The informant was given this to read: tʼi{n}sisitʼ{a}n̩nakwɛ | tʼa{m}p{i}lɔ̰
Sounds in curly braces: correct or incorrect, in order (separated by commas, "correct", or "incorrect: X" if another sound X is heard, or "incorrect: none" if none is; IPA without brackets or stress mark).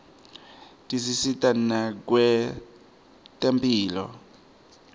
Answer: incorrect: none, correct, correct, incorrect: iː